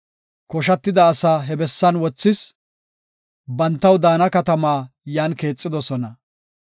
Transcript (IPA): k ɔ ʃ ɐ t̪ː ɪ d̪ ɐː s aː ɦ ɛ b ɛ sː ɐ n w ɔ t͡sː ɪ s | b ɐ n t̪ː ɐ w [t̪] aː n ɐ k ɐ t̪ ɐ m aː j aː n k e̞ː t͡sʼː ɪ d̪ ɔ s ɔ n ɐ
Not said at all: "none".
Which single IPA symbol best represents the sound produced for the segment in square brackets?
d̪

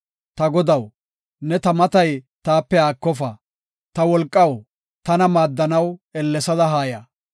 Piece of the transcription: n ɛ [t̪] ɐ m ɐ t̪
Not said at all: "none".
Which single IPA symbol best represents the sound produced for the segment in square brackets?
t̪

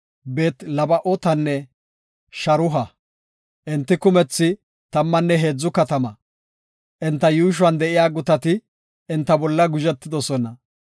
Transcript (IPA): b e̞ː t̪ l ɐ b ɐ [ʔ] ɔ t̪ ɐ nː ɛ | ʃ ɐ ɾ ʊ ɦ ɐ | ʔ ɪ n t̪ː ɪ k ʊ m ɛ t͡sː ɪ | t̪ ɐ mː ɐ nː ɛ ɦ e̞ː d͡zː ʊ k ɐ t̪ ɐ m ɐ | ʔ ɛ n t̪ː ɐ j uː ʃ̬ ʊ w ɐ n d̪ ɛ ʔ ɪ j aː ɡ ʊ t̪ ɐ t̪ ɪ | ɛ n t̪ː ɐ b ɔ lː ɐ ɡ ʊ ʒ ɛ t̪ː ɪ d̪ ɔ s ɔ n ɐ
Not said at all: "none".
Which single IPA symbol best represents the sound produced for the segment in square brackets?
ʔ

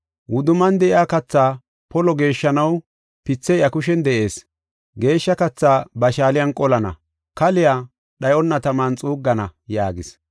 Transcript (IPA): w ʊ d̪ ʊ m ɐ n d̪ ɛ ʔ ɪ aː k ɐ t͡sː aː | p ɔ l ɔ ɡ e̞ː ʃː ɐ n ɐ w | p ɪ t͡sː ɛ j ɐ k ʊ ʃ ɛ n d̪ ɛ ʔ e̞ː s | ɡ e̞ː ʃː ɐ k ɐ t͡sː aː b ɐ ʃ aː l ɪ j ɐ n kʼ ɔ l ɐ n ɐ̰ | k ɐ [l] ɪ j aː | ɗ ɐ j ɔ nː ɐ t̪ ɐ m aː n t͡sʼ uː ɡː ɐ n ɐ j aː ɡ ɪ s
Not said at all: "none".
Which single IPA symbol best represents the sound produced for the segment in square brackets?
l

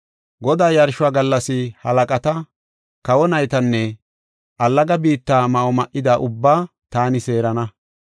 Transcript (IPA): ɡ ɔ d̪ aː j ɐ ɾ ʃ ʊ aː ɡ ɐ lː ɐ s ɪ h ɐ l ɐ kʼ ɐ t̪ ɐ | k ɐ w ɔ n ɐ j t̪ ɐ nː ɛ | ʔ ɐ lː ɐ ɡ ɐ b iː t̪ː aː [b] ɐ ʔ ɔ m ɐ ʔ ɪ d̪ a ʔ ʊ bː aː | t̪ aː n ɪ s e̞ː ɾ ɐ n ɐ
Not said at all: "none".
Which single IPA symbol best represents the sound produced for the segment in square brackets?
m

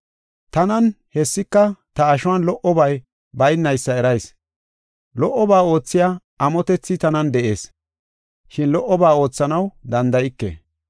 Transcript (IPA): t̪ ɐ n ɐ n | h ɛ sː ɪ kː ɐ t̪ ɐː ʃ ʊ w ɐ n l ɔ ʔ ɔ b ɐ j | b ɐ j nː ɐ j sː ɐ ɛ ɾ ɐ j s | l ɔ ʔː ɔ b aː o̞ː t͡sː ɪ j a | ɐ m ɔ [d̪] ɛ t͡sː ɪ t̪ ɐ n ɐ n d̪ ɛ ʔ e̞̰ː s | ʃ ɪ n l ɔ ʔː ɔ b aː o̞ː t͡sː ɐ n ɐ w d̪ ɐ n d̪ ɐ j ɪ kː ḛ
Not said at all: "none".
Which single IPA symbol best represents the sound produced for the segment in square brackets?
t̪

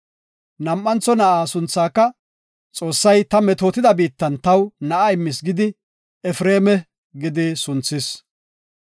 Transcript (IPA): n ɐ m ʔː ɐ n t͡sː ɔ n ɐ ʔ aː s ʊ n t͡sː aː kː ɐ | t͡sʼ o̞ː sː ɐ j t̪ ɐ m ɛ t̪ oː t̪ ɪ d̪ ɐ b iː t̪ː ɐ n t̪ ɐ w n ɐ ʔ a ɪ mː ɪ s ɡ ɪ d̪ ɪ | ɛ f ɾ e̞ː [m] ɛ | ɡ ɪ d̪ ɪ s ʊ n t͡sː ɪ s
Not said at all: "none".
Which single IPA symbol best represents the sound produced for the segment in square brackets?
m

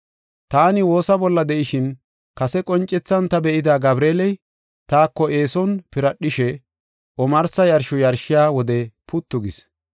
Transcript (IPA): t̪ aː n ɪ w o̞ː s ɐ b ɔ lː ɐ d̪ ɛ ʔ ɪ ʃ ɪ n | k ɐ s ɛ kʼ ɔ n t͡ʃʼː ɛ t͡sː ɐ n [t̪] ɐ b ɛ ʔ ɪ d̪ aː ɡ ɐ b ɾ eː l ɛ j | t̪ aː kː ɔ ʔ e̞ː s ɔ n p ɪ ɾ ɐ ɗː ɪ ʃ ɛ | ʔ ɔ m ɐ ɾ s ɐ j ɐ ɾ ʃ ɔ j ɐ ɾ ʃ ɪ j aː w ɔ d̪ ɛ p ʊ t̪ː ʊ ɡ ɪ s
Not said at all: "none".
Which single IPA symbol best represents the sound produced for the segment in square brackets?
t̪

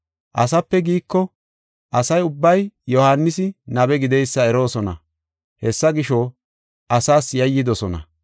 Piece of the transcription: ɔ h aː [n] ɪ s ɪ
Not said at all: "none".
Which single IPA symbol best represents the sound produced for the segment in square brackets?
nː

